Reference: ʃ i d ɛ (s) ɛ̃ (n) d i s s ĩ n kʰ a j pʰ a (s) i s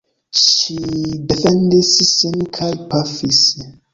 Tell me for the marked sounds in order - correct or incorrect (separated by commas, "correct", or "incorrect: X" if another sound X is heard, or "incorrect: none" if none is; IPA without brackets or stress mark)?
incorrect: f, correct, incorrect: f